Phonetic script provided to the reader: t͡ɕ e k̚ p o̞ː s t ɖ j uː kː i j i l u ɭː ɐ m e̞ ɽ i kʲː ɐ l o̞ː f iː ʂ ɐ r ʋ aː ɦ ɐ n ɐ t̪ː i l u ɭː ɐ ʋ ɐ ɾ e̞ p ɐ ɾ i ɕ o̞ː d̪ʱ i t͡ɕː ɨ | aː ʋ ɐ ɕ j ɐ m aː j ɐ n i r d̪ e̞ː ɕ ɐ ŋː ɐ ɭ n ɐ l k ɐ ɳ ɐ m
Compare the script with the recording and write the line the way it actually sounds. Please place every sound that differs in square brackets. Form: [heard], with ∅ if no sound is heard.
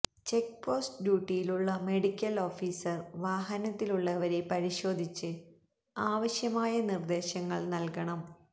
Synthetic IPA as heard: t͡ɕ e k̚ p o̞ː s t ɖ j uː [ʈː] i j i l u ɭː ɐ m e̞ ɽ i kʲː ɐ l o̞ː f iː [s] ɐ r ʋ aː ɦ ɐ n ɐ t̪ː i l u ɭː ɐ ʋ ɐ ɾ e̞ p ɐ ɾ i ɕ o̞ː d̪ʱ i t͡ɕː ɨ | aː ʋ ɐ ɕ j ɐ m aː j ɐ n i r d̪ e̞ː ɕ ɐ ŋː ɐ ɭ n ɐ l k ɐ ɳ ɐ m